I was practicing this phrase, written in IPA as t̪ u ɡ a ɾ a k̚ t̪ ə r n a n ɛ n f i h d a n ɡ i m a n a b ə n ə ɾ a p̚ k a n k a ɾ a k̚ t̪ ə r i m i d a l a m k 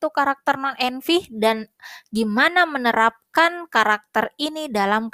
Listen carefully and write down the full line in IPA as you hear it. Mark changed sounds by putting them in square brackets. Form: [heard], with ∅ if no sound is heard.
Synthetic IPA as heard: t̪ u [k] a ɾ a k̚ t̪ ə r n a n ɛ n f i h d a n ɡ i m a n a [m] ə n ə ɾ a p̚ k a n k a ɾ a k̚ t̪ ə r i [n] i d a l a m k